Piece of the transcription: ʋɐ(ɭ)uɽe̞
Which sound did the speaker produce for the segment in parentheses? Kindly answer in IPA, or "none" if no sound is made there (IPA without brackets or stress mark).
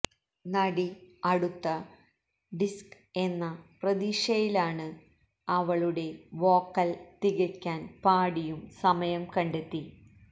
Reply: ɭ